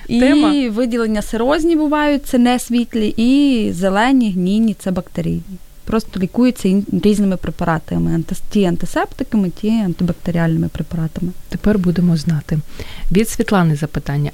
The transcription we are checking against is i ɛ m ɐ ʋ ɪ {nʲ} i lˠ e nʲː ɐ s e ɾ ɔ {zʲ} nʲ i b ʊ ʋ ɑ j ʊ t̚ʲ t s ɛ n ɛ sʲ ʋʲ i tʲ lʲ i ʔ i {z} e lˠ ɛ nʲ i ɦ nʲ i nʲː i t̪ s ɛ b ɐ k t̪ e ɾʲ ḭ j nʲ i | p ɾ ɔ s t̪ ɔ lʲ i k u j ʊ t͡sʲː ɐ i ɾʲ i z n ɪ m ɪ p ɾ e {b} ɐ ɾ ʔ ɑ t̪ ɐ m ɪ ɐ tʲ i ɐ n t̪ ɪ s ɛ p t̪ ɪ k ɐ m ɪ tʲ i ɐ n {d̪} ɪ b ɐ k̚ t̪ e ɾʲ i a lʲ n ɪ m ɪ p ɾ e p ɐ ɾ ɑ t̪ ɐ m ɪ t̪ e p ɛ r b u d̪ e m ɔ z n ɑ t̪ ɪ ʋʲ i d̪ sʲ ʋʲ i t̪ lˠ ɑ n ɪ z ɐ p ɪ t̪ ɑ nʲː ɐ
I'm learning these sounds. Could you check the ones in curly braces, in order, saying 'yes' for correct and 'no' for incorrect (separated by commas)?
no, yes, yes, no, no